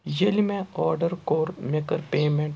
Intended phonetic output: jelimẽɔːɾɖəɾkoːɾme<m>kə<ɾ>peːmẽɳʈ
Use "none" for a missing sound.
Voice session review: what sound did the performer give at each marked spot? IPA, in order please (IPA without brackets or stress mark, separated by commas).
none, ɾ